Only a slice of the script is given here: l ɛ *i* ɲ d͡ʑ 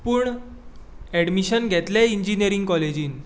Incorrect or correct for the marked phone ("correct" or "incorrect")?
correct